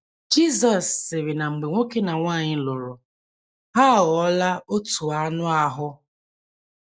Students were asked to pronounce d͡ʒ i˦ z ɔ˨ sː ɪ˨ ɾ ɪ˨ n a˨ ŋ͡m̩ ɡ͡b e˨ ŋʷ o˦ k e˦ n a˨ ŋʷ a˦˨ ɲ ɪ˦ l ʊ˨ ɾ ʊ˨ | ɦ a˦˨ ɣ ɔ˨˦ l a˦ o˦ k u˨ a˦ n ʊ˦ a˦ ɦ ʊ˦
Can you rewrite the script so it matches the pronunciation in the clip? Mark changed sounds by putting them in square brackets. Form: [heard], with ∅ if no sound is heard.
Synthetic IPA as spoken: d͡ʒ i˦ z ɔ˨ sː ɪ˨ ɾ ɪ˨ n a˨ ŋ͡m̩ ɡ͡b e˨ ŋʷ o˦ k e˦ n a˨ ŋʷ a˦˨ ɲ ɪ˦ l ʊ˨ ɾ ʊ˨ | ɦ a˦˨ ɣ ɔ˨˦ l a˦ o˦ [t] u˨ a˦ n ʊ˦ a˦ ɦ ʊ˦